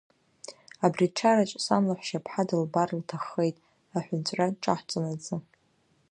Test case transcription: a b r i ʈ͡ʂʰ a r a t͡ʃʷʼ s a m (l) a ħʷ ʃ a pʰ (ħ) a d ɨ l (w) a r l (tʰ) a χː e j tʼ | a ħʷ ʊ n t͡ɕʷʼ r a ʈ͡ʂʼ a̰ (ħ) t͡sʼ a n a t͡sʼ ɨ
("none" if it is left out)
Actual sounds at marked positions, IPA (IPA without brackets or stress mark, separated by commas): l, ħ, b, tʰ, ħ